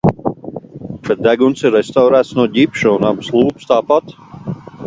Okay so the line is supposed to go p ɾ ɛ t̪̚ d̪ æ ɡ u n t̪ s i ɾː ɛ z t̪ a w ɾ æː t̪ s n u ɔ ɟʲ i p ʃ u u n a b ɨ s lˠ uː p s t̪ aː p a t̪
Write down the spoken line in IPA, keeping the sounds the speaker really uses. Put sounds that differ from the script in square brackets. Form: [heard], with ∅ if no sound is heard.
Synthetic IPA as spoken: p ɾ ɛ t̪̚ d̪ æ ɡ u n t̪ s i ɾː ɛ [s] t̪ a w ɾ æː t̪ s n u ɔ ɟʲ i p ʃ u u n a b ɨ s lˠ uː p s t̪ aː p a t̪